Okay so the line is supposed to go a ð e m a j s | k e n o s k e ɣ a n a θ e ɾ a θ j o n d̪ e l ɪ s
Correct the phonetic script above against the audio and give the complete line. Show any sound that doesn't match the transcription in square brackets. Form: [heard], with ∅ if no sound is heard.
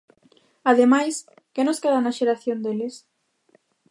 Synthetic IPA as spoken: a ð e m a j s | k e n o s k e [ð] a n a [ʃ] e ɾ a θ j o n d̪ e l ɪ s

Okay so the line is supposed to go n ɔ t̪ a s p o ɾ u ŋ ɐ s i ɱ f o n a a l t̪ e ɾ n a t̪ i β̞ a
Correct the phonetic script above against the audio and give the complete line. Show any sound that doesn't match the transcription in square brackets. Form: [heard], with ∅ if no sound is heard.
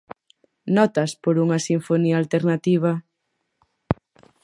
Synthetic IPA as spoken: n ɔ t̪ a s p o ɾ u ŋ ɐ s i ɱ f o n [i] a l t̪ e ɾ n a t̪ i β̞ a

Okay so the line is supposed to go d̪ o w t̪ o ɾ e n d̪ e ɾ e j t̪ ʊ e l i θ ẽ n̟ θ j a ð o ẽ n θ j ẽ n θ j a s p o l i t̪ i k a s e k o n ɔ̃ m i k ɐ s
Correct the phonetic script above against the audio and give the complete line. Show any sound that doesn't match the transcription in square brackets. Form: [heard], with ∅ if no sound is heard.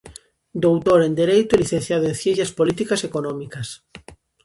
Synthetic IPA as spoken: d̪ o w t̪ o ɾ e n d̪ e ɾ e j t̪ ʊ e l i θ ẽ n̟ θ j a ð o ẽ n θ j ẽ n θ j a s p o l i t̪ i k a s e k o n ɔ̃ m i k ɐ s

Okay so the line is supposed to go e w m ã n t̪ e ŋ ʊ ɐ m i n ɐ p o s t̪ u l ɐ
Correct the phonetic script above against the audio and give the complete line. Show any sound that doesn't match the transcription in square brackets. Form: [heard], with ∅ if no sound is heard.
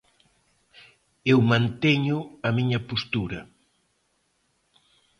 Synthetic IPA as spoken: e w m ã n t̪ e [ɲ] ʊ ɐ m i [ɲ] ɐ p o s t̪ u [ɾ] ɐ

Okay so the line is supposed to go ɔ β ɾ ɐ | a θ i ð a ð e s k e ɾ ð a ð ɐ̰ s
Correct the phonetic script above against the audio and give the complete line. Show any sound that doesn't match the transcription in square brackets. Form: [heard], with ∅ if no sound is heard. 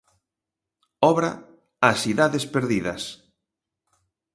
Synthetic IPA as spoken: ɔ β ɾ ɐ | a [s] i ð a ð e s [p] e ɾ ð [i] ð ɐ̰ s

